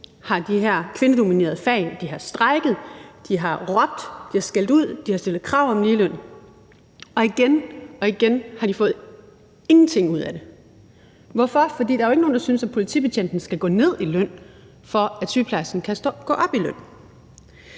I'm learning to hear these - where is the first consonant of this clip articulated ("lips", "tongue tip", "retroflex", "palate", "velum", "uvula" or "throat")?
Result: throat